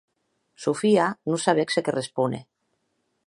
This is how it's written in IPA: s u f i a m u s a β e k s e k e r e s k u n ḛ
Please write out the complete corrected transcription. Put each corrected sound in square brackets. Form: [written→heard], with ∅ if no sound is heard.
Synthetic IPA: s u f i a [m→n] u s a β e k s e k e r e s [k→p] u n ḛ